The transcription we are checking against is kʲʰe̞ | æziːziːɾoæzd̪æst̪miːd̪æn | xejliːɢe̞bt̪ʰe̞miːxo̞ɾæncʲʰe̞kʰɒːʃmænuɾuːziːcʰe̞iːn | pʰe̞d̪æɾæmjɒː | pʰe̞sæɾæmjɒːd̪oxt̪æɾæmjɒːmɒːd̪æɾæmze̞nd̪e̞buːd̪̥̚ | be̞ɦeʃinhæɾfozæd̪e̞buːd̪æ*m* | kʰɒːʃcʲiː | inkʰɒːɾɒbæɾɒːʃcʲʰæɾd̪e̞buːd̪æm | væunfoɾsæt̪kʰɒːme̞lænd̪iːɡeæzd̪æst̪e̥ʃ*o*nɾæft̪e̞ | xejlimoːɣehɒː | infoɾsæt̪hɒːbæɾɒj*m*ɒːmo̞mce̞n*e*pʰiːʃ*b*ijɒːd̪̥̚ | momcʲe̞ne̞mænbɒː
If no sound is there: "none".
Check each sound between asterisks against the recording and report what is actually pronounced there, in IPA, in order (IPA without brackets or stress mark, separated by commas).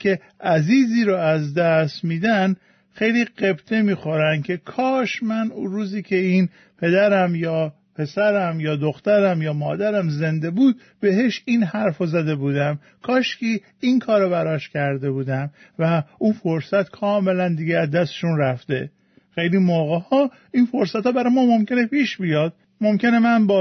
m, u, m, e, b